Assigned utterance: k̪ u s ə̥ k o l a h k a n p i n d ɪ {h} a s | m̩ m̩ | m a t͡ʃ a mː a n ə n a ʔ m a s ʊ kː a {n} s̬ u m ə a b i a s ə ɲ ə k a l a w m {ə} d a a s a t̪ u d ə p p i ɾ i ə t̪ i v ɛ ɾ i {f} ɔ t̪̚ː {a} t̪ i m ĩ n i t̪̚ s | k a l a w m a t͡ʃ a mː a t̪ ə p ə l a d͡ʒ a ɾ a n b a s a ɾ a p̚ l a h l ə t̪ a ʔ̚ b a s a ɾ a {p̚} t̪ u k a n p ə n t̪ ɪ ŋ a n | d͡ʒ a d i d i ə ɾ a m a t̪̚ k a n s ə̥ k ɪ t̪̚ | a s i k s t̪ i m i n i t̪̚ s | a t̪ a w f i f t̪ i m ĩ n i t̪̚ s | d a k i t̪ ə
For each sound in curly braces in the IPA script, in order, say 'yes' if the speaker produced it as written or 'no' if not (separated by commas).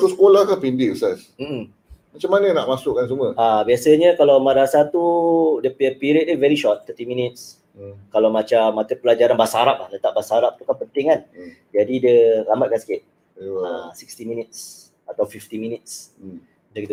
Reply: no, yes, no, no, no, yes